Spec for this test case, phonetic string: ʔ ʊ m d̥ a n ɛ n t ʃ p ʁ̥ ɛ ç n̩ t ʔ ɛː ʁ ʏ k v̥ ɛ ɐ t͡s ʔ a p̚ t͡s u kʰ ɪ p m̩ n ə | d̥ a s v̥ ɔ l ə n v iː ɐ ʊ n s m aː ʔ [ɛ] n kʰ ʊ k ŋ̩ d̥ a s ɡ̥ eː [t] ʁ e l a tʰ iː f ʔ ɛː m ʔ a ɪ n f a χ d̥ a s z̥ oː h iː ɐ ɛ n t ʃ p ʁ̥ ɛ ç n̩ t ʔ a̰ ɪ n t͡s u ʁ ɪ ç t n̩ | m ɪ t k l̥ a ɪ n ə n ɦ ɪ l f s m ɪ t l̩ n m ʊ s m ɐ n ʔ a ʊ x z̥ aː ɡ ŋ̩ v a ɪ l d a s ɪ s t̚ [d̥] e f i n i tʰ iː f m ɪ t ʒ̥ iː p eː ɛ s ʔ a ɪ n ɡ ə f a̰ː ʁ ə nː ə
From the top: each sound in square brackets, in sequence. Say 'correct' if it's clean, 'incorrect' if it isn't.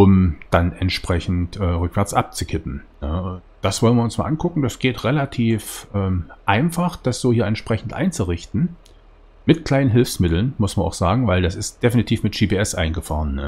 incorrect: a, correct, correct

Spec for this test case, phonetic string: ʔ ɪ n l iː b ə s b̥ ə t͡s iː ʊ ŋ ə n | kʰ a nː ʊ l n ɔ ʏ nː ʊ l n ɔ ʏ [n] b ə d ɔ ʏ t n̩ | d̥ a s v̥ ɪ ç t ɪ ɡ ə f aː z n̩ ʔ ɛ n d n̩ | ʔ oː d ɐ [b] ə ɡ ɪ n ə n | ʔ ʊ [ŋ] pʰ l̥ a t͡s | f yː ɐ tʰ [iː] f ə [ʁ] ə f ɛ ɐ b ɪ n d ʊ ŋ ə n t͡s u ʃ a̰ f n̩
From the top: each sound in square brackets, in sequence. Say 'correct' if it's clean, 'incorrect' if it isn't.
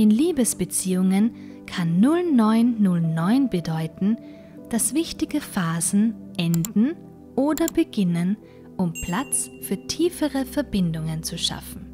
correct, correct, incorrect: m, correct, correct

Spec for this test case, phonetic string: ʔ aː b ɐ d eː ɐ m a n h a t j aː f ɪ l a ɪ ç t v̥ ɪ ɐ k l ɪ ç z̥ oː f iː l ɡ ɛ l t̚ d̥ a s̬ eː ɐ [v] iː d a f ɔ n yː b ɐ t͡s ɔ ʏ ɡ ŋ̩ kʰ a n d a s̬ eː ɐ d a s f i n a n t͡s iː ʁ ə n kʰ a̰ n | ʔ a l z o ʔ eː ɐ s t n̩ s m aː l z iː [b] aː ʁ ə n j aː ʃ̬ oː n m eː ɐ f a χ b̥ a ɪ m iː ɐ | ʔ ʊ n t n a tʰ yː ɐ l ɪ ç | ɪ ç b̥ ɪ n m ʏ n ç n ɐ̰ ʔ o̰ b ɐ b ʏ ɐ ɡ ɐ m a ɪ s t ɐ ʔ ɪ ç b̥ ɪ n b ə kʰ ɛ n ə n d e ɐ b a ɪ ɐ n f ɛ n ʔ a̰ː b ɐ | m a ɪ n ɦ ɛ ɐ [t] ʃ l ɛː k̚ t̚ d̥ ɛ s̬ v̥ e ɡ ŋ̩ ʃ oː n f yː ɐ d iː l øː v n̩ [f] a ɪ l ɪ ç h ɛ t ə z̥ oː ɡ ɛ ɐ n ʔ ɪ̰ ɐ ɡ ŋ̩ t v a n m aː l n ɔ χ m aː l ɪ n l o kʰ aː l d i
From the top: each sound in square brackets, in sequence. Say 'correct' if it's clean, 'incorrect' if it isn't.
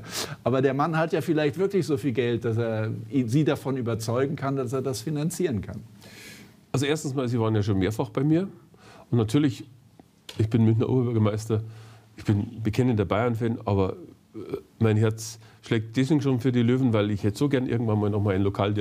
incorrect: z, incorrect: v, incorrect: t͡s, incorrect: v

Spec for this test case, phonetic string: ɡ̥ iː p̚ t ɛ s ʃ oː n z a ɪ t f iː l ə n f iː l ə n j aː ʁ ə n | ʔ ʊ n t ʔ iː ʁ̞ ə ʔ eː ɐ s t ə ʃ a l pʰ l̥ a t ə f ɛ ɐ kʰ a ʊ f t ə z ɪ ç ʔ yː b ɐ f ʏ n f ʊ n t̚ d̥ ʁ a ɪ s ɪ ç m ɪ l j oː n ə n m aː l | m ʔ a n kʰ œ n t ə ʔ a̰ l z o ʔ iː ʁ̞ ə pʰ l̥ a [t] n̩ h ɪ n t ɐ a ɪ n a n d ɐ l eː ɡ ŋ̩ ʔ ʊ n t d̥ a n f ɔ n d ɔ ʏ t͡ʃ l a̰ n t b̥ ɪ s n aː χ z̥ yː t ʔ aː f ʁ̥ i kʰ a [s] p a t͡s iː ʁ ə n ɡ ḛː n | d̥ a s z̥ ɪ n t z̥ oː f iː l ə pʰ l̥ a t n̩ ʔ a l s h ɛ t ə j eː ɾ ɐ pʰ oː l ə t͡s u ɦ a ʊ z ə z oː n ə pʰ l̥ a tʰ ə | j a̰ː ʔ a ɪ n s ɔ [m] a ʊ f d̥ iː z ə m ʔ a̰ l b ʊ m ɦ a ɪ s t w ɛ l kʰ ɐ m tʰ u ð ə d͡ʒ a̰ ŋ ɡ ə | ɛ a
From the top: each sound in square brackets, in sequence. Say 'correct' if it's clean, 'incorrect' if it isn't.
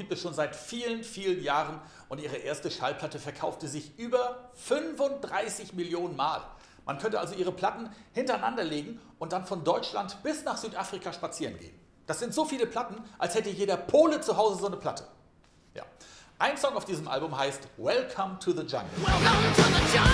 correct, incorrect: ʃ, incorrect: ŋ

